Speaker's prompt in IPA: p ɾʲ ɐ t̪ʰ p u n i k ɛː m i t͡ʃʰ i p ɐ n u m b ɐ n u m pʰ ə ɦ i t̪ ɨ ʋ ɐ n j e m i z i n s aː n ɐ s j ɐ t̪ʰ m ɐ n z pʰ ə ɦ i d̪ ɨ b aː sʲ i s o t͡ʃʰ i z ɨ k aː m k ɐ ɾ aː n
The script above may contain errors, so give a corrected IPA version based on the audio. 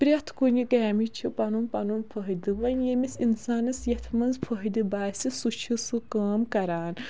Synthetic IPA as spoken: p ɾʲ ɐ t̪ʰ k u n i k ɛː m i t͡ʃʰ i p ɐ n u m p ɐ n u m pʰ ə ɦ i d̪ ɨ ʋ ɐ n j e m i s i n s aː n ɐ s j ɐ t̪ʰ m ɐ n z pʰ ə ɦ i d̪ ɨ b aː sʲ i s u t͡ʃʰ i s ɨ k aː m k ɐ ɾ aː n